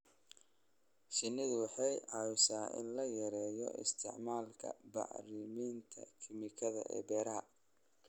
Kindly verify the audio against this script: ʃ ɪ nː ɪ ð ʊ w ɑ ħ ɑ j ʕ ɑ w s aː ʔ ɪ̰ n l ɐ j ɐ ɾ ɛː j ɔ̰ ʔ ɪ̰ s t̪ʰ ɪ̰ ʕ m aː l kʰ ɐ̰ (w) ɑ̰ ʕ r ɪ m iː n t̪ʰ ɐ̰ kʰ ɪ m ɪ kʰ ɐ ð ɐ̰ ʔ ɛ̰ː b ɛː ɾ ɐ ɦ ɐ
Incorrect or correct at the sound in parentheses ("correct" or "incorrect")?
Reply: incorrect